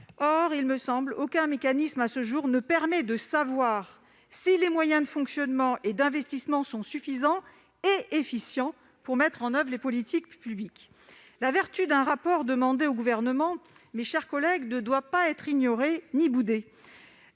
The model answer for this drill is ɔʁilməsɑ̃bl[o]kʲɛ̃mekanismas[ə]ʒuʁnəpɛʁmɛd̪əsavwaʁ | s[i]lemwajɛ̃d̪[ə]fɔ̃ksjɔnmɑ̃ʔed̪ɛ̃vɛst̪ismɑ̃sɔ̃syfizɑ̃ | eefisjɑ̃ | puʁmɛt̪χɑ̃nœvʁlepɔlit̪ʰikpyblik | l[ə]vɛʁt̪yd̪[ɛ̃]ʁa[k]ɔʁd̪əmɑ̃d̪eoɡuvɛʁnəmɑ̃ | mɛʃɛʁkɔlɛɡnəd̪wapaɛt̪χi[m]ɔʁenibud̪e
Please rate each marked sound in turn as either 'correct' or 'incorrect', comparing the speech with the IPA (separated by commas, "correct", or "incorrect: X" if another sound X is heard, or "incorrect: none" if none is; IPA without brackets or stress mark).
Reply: correct, correct, correct, correct, incorrect: a, correct, incorrect: p, incorrect: ɲ